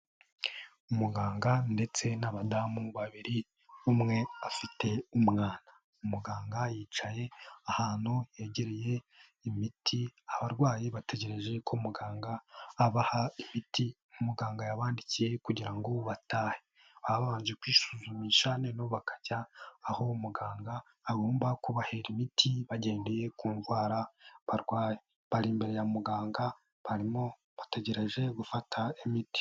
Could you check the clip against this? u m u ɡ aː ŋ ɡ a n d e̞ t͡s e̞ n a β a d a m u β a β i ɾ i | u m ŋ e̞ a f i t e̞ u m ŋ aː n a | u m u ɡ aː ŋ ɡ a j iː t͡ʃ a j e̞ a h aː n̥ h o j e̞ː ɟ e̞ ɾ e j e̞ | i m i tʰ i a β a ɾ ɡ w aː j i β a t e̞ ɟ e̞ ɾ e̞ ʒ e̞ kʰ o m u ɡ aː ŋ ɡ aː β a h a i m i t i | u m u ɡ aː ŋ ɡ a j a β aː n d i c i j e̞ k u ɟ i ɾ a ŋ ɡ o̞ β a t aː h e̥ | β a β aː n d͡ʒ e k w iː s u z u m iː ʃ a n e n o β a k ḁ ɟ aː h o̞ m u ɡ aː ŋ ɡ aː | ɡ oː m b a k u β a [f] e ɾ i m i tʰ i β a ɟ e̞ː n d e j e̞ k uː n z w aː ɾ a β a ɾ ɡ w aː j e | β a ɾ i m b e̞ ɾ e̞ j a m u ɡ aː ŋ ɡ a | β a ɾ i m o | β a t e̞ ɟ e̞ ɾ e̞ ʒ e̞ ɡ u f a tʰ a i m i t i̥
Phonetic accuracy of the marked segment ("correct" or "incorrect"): incorrect